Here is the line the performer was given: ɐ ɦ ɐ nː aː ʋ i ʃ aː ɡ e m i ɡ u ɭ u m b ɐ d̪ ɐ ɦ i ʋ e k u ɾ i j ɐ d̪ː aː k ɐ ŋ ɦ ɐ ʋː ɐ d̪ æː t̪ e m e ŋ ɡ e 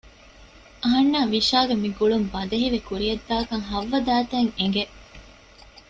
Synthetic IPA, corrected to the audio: ɐ ɦ ɐ nː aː ʋ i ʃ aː ɡ e m i ɡ u ɭ u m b ɐ d̪ ɐ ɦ i ʋ e k u ɾ i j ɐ d̪ː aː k ɐ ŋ ɦ ɐ ʋː ɐ d̪ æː t̪ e ŋ e ŋ ɡ e